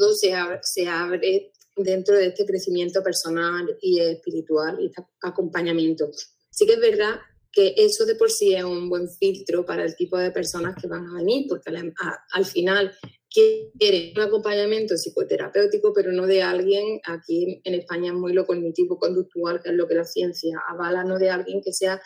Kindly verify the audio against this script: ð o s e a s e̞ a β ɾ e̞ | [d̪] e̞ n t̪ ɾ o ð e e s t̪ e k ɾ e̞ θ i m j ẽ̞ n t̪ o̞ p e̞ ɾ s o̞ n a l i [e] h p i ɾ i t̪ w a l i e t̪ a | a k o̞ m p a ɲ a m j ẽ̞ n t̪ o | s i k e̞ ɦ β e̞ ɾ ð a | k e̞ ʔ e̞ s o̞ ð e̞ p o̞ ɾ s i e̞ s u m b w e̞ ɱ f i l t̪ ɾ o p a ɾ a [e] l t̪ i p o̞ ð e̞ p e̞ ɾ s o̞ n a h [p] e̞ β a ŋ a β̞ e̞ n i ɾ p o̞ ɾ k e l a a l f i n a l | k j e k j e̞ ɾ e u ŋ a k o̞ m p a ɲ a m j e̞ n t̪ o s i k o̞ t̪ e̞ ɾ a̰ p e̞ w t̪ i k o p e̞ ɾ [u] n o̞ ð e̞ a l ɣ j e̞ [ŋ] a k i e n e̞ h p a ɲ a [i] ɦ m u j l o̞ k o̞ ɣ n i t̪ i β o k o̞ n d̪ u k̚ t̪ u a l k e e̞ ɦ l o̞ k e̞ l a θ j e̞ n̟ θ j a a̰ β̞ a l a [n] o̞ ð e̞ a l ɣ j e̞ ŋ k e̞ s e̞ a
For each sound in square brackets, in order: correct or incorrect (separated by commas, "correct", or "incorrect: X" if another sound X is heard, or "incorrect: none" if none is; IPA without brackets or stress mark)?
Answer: correct, correct, correct, incorrect: k, incorrect: o, correct, incorrect: e, correct